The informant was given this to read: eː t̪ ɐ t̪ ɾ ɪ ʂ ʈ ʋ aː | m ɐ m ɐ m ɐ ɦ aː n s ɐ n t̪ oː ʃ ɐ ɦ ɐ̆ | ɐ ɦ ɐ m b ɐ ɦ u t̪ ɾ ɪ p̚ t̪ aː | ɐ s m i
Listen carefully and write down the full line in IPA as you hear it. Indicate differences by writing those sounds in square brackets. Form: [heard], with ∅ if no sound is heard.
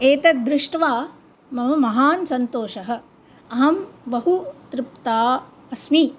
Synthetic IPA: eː t̪ ɐ [d̪] ɾ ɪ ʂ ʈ ʋ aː | m ɐ m ɐ m ɐ ɦ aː n s ɐ n t̪ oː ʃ ɐ ɦ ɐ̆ | ɐ ɦ ɐ m b ɐ ɦ u t̪ ɾ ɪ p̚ t̪ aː | ɐ s m i